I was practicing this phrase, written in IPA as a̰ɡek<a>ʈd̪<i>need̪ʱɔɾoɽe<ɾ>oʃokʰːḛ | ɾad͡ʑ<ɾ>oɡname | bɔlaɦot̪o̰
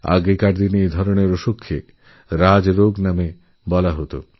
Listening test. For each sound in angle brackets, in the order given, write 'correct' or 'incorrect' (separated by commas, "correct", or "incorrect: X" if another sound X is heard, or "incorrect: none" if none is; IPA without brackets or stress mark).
correct, correct, correct, correct